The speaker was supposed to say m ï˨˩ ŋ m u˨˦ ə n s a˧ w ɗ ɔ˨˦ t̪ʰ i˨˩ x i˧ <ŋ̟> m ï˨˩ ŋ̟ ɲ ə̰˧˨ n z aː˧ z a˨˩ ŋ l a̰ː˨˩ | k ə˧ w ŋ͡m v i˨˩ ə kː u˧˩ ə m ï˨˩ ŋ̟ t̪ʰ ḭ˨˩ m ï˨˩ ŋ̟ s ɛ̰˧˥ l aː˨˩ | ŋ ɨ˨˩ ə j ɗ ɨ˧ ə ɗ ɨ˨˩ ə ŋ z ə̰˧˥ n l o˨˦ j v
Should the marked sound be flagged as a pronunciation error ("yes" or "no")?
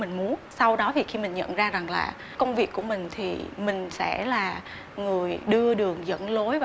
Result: yes